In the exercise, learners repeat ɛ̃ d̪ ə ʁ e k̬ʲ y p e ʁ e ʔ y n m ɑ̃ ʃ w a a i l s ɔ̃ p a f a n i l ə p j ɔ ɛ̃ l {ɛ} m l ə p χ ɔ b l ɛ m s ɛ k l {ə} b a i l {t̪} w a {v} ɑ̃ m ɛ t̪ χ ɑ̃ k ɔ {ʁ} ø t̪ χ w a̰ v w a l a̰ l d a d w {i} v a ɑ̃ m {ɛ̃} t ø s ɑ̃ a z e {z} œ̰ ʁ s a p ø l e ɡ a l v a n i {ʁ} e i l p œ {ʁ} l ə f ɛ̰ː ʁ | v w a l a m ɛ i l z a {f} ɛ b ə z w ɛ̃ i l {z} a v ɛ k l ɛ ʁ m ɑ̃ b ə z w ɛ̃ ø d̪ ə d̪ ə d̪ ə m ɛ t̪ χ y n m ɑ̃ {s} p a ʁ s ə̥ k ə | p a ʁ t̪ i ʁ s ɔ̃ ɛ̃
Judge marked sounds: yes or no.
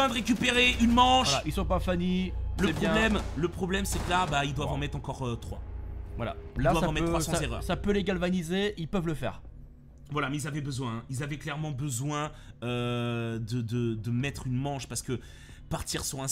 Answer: yes, no, no, yes, yes, no, no, no, no, no, no, yes, no

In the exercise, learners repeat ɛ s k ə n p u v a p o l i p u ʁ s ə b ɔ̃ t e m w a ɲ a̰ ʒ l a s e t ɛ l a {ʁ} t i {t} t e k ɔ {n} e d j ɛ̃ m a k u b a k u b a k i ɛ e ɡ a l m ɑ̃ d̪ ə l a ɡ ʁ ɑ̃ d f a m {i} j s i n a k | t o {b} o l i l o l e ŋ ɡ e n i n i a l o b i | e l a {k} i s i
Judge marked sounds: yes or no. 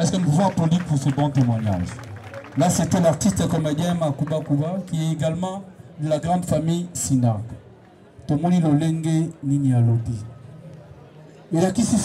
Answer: yes, no, no, yes, no, yes

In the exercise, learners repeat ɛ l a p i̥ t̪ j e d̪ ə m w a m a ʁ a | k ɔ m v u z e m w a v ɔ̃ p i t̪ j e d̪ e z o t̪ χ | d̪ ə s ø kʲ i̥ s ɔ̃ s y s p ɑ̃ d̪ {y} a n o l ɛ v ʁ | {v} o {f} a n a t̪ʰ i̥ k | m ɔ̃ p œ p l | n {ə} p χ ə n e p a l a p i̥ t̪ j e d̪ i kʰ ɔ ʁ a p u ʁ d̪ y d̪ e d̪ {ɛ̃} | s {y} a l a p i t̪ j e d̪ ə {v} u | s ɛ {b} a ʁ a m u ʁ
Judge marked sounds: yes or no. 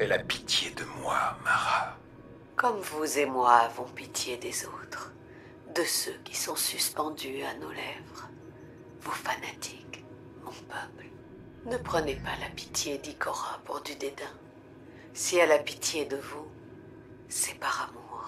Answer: yes, yes, yes, yes, yes, no, yes, no

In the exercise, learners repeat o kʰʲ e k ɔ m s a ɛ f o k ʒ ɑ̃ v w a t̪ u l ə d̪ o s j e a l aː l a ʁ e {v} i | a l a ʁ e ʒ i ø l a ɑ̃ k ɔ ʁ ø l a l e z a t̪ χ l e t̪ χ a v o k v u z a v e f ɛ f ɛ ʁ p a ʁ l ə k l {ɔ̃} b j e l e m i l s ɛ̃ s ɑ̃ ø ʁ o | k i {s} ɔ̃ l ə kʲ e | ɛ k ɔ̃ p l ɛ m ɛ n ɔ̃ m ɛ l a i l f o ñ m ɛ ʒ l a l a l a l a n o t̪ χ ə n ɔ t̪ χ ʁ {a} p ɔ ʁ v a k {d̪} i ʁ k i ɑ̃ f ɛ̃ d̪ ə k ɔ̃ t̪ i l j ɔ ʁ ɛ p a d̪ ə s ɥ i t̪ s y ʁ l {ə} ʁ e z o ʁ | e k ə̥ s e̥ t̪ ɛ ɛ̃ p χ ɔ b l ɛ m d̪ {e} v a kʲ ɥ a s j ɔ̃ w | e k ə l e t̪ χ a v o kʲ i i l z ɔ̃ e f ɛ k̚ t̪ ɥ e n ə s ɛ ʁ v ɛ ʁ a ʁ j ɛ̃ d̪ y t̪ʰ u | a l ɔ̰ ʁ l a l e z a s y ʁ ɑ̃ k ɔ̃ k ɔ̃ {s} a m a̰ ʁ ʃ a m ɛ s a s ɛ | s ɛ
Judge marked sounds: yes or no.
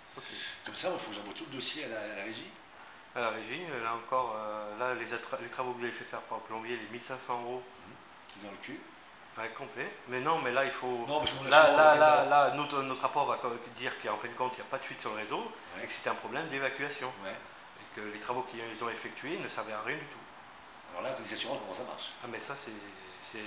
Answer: no, yes, no, yes, yes, yes, yes, yes

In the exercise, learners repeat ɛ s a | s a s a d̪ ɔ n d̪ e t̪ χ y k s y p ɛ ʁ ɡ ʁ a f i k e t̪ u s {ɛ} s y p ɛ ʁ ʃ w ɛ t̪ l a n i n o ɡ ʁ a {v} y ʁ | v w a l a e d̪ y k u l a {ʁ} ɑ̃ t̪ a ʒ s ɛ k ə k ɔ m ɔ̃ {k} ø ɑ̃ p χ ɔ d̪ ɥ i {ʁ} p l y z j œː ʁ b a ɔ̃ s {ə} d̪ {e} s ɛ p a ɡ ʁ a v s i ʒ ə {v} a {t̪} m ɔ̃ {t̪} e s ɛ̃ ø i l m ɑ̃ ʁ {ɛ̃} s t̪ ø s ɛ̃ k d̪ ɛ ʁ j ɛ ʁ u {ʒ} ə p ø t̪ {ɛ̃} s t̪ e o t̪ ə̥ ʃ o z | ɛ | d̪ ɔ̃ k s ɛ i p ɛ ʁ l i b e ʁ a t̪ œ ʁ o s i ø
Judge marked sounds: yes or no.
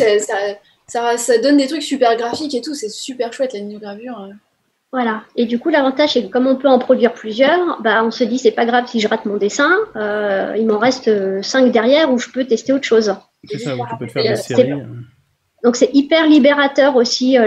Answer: yes, yes, no, no, yes, yes, no, no, yes, no, no, yes, no

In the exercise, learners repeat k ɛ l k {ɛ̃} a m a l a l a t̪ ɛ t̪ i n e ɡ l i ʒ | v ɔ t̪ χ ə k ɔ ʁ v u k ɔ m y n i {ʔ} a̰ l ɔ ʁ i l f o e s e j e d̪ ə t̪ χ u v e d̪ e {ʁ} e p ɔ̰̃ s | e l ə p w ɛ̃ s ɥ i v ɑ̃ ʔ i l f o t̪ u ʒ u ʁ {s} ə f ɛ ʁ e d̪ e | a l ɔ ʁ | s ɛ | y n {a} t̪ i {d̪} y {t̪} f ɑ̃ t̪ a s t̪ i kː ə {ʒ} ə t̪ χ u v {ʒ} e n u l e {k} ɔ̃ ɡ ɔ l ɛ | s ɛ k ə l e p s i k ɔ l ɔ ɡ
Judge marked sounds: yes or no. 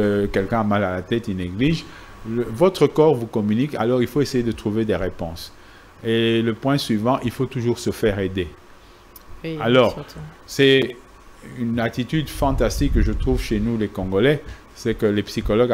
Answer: yes, no, yes, yes, yes, no, no, yes, no, yes

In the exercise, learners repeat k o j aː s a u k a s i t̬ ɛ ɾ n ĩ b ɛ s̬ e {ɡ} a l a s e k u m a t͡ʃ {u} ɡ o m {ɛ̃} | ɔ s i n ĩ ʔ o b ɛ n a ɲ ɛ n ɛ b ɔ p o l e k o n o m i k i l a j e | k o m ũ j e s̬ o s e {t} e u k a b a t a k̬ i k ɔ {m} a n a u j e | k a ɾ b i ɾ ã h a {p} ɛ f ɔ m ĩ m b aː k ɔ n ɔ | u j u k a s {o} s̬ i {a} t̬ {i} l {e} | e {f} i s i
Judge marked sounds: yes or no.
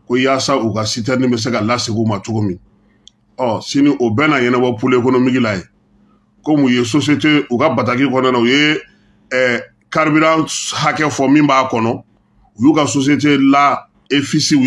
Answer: no, no, no, yes, no, no, yes, no, no, no, yes

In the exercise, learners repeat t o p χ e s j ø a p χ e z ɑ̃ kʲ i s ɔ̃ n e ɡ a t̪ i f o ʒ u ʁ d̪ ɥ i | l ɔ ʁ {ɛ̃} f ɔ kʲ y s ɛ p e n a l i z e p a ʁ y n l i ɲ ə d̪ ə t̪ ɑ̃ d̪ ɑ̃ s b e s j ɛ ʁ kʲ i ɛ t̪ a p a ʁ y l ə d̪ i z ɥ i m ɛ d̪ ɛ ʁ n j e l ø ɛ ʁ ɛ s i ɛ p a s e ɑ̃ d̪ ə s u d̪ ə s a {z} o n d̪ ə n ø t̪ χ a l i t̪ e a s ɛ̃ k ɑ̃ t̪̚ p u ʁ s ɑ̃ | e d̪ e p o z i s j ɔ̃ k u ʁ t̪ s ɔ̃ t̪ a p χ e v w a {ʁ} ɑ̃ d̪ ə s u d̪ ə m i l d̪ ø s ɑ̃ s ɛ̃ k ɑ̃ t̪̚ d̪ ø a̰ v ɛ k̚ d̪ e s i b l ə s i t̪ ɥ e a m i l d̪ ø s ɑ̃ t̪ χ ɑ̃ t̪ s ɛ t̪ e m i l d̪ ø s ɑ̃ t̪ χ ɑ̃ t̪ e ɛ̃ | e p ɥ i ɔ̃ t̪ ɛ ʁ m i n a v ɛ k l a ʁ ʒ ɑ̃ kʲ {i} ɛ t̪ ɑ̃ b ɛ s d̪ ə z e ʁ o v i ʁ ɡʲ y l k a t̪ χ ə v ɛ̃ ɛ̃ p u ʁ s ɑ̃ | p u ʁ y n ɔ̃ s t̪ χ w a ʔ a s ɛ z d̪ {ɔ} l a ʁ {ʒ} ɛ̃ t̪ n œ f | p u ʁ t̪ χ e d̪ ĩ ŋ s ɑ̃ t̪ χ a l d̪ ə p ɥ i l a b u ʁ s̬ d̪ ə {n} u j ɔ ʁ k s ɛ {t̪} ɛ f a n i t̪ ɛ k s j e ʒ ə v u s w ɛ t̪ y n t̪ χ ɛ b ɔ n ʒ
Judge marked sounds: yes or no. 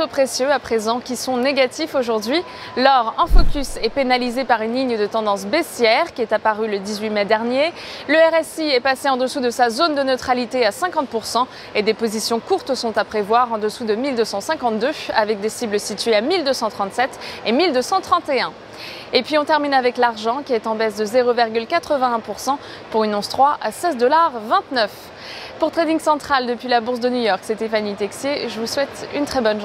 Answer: yes, yes, yes, yes, yes, no, yes, yes

